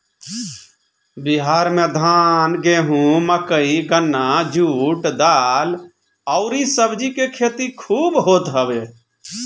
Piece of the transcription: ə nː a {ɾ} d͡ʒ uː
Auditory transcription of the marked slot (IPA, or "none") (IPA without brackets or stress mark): none